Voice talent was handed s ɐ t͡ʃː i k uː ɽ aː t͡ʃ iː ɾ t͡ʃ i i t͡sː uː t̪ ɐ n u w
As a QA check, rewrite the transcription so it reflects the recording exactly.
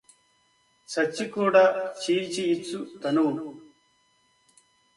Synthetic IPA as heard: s ɐ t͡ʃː i k uː ɽ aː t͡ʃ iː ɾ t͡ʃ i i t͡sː u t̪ ɐ n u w